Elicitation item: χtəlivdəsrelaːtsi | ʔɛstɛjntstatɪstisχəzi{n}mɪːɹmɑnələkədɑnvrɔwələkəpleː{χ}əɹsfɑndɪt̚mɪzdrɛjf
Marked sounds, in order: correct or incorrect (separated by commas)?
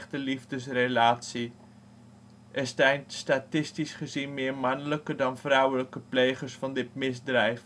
correct, correct